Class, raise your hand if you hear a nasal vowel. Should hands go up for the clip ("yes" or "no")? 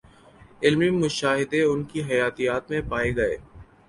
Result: yes